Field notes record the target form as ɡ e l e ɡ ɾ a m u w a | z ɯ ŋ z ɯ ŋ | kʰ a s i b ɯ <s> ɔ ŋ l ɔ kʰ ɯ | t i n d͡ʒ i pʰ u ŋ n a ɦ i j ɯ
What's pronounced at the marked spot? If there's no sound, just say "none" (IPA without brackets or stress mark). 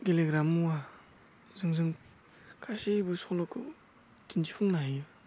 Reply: s